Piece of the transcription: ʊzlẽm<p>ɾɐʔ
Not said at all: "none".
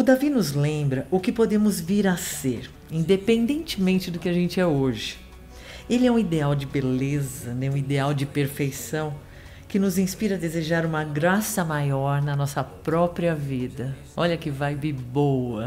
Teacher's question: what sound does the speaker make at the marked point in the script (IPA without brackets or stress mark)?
b